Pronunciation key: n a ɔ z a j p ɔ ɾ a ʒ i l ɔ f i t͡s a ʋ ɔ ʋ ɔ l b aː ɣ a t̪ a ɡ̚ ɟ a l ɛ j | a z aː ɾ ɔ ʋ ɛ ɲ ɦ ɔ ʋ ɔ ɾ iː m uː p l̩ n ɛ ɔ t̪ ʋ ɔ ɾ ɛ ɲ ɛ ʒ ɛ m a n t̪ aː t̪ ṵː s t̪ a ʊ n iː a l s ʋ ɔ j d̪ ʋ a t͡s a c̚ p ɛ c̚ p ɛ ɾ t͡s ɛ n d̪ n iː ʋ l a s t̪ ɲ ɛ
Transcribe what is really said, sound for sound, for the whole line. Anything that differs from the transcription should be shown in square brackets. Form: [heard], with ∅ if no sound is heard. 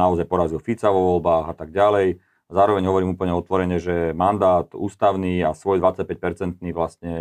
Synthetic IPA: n a ɔ z a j p ɔ ɾ a [z] i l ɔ f i t͡s a ʋ ɔ ʋ ɔ l b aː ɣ a t̪ a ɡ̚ ɟ a l ɛ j | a z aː ɾ ɔ ʋ ɛ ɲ ɦ ɔ ʋ ɔ ɾ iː m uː p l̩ [ɲ] ɛ ɔ t̪ ʋ ɔ ɾ ɛ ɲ ɛ ʒ ɛ m a n [d̪] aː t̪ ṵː s t̪ a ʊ n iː a [∅] s ʋ ɔ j d̪ ʋ a t͡s a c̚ p ɛ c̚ p ɛ ɾ t͡s ɛ n [t̪] n iː ʋ l a s t̪ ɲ ɛ